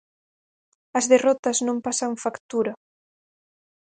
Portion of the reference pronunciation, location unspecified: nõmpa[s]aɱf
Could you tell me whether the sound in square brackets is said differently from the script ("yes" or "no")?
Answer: no